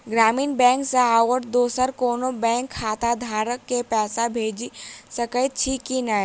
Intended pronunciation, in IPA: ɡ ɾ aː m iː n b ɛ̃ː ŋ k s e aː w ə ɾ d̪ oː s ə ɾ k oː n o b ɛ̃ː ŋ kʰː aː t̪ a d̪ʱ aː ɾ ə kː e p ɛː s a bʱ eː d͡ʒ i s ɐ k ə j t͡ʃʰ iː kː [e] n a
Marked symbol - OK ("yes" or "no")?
no